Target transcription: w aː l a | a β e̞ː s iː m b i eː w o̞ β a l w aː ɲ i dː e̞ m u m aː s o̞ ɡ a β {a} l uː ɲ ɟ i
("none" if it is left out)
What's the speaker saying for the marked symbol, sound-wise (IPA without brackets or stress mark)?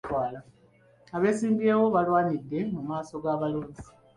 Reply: a